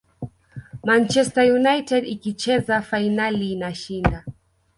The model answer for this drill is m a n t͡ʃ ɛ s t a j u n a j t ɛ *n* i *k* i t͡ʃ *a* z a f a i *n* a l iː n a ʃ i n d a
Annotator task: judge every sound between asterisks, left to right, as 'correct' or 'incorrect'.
incorrect: d, correct, incorrect: ɛ, correct

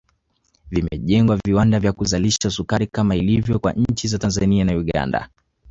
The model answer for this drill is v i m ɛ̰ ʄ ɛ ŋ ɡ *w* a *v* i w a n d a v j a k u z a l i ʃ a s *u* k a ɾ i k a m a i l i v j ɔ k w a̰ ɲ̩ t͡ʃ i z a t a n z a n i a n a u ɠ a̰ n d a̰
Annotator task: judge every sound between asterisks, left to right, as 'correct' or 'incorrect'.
correct, correct, correct

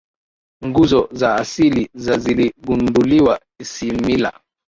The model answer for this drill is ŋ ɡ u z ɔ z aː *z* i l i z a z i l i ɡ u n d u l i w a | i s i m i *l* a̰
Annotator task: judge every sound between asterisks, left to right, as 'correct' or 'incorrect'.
incorrect: s, correct

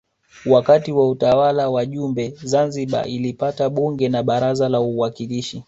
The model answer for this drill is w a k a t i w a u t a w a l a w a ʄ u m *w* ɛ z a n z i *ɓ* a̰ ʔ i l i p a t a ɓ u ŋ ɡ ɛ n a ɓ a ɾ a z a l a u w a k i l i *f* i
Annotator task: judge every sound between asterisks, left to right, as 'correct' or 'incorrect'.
incorrect: b, correct, incorrect: ʃ

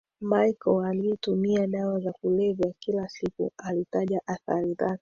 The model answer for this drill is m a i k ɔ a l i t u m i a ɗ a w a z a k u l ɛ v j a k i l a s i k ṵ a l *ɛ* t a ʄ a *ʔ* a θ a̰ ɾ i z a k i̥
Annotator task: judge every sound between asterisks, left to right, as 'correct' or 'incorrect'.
incorrect: i, correct

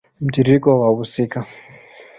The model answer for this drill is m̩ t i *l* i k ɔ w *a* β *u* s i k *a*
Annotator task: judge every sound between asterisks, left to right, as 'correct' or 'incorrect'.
incorrect: ɾ, correct, correct, correct

